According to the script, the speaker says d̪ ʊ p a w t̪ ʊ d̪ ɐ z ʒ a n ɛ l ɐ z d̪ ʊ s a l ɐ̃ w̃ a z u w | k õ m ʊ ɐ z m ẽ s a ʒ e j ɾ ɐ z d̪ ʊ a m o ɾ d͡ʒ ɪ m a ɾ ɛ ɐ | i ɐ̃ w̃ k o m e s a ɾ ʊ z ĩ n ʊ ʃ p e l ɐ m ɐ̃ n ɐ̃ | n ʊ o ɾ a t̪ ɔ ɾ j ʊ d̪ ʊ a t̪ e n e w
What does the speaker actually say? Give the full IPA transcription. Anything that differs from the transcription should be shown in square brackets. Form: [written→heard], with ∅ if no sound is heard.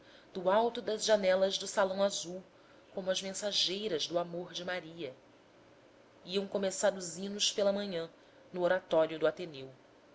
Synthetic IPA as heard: d̪ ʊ [p→∅] a w t̪ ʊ d̪ ɐ z ʒ a n ɛ l ɐ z d̪ ʊ s a l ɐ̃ w̃ a z u w | k õ m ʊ ɐ z m ẽ s a ʒ e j ɾ ɐ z d̪ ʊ a m o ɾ d͡ʒ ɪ m a ɾ [ɛ→i] ɐ | i ɐ̃ w̃ k o m e s a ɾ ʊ z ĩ n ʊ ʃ p e l ɐ m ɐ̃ [n→ɲ] ɐ̃ | n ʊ o ɾ a t̪ ɔ ɾ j ʊ d̪ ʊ a t̪ e n e w

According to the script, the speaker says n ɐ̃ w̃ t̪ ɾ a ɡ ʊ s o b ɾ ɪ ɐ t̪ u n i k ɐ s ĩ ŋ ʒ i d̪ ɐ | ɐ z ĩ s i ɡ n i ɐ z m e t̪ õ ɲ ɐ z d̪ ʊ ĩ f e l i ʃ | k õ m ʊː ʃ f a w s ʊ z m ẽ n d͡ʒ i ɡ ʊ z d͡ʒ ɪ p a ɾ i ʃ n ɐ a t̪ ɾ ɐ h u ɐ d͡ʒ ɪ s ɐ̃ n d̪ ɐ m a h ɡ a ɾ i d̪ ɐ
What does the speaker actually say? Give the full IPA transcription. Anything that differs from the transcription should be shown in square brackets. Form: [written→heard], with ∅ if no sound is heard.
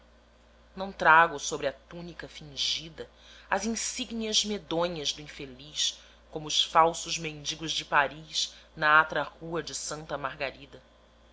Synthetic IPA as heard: n ɐ̃ w̃ t̪ ɾ a ɡ ʊ s o b ɾ ɪ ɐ t̪ u n i k ɐ [s→f] ĩ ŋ ʒ i d̪ ɐ | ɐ z ĩ s i ɡ n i ɐ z m e [t̪→d̪] õ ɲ ɐ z d̪ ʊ ĩ f e l i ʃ | k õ m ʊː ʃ f a w s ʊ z m ẽ n d͡ʒ i ɡ ʊ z d͡ʒ ɪ p a ɾ i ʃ n ɐ a t̪ ɾ ɐ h u ɐ d͡ʒ ɪ s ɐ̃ n [d̪→t̪] ɐ m a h ɡ a ɾ i d̪ ɐ

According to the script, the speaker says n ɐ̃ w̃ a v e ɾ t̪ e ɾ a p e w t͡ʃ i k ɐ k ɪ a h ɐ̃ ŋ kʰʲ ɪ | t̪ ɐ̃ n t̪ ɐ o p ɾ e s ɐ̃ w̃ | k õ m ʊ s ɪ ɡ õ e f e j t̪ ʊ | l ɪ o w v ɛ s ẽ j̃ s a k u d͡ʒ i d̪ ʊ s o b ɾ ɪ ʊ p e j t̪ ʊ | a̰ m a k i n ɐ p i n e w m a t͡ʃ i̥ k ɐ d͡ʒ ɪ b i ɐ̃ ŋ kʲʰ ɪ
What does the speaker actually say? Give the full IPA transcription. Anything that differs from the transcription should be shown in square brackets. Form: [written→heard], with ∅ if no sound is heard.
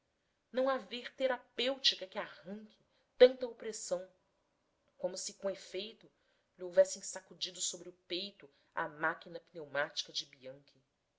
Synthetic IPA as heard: n ɐ̃ w̃ a v e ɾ t̪ e ɾ a p e w t͡ʃ i k ɐ k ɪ a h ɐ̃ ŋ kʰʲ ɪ | t̪ ɐ̃ n t̪ ɐ o p ɾ e s ɐ̃ w̃ | k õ m ʊ s ɪ [ɡ→k] õ e f e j t̪ ʊ | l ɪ o w v ɛ s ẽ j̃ s a k u d͡ʒ i d̪ ʊ s o b ɾ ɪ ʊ p e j t̪ ʊ | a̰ m a k i n ɐ p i n e w m a t͡ʃ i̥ k ɐ d͡ʒ ɪ b i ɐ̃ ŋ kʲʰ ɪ

